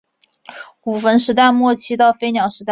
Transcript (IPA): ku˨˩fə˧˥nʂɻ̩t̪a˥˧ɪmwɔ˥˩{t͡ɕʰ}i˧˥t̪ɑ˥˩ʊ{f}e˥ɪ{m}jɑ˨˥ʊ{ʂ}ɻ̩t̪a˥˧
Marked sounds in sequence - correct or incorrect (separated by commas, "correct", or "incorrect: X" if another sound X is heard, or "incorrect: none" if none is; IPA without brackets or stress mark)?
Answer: correct, correct, incorrect: n, correct